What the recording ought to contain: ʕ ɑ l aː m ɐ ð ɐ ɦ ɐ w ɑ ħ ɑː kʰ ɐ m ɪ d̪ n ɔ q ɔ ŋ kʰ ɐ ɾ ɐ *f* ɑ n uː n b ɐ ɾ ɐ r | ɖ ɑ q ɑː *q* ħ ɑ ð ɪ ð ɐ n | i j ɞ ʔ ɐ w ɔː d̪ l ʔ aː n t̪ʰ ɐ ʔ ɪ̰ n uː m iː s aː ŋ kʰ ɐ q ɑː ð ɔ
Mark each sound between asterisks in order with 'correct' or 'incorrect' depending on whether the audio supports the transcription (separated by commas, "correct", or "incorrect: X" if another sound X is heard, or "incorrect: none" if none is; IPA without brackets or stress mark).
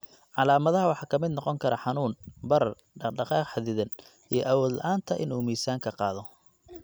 incorrect: ħ, correct